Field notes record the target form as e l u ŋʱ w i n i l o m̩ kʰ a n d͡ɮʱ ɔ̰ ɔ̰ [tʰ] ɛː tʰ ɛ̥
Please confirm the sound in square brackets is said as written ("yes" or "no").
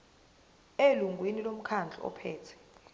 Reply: no